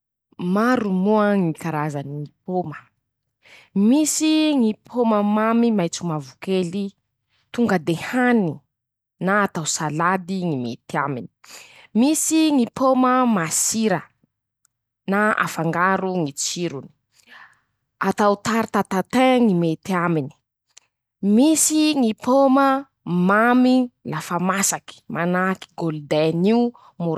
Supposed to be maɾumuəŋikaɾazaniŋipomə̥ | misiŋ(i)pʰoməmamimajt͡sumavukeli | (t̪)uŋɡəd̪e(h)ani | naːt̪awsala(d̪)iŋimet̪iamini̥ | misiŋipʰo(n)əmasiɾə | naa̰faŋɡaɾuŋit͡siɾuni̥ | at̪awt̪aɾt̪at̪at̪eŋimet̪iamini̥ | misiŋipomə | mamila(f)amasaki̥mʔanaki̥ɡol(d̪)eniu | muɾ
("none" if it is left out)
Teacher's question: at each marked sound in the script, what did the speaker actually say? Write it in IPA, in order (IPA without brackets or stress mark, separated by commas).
i, t̪, h, d̪, m, f, d̪